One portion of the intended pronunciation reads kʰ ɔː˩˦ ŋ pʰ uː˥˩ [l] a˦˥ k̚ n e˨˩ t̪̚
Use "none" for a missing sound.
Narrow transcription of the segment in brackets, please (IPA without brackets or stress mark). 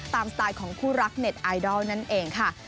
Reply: ɾ